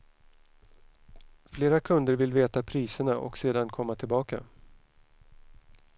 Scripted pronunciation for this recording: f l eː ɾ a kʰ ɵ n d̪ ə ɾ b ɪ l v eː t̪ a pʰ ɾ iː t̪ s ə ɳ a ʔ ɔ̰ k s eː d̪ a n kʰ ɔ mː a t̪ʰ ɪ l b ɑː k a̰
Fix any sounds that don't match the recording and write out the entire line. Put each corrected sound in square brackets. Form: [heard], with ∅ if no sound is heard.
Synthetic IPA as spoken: f l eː ɾ a kʰ ɵ n d̪ ə ɾ [v] ɪ l v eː t̪ a pʰ ɾ iː [∅] s ə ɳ a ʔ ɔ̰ k s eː d̪ a n kʰ ɔ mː a t̪ʰ ɪ l b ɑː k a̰